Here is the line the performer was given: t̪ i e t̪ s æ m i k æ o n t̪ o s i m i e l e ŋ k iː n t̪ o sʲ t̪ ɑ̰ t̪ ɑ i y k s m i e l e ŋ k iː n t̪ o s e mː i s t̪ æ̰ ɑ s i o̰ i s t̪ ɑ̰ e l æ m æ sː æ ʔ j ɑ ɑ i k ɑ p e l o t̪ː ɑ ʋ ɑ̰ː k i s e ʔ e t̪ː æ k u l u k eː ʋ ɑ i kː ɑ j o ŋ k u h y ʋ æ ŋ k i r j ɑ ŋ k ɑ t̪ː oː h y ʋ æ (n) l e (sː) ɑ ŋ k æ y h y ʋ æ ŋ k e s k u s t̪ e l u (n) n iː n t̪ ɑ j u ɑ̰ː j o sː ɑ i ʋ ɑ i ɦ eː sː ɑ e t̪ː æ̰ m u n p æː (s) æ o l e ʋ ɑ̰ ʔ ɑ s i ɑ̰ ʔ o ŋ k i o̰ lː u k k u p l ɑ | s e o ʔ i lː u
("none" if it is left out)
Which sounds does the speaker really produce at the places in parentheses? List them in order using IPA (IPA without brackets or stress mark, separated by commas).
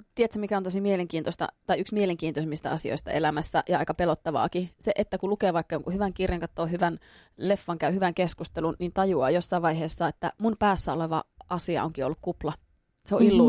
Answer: n, fː, n, sː